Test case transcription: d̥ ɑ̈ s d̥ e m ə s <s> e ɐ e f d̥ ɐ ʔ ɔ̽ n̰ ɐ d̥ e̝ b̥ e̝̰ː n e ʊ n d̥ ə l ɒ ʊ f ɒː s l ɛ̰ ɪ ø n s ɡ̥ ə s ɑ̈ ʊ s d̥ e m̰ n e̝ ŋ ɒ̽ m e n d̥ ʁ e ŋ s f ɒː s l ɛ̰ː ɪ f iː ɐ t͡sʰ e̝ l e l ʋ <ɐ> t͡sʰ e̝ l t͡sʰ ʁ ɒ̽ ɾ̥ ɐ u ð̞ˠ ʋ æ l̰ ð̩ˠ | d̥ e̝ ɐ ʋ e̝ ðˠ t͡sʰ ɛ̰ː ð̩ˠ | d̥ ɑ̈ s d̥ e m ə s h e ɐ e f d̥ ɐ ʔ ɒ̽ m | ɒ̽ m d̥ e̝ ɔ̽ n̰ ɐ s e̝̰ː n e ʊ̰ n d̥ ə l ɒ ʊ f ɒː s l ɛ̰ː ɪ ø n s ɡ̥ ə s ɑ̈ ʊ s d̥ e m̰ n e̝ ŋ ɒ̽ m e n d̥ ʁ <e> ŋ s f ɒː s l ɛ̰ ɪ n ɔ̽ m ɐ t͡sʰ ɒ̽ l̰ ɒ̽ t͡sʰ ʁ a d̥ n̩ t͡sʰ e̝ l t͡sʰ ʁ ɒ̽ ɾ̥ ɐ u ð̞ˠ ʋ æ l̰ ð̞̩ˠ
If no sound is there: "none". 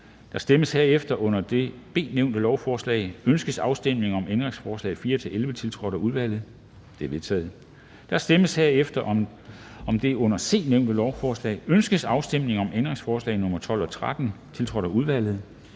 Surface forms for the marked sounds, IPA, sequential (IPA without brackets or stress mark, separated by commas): h, ə, e